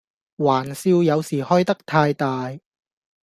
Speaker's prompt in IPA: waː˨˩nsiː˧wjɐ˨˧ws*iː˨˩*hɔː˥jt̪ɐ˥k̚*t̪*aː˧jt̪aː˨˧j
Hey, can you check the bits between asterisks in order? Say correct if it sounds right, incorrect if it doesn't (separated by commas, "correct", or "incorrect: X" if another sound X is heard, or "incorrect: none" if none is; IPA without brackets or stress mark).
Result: correct, incorrect: t̪ʰ